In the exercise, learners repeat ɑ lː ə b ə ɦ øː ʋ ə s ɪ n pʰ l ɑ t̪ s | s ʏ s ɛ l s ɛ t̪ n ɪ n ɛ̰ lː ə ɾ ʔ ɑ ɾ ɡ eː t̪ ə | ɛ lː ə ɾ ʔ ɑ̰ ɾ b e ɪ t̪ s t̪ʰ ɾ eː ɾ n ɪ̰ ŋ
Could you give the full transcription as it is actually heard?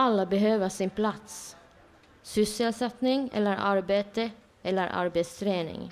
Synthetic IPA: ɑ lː ə b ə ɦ øː ʋ ə s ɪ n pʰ l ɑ t̪ s | s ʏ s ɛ l s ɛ t̪ n ɪ ŋ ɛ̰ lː ə ɾ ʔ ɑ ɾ b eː t̪ ə | ɛ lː ə ɾ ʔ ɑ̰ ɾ b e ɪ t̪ s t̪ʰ ɾ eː n ɪ̰ ŋ